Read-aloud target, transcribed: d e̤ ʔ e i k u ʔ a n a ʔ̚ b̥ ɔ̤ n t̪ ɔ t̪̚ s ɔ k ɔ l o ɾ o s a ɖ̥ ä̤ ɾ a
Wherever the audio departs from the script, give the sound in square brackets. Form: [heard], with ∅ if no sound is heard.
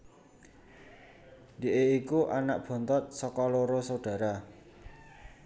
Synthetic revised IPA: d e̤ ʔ e i k u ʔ a n a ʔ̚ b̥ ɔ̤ n t̪ ɔ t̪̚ s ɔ k ɔ l o ɾ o s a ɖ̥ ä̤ ɾ a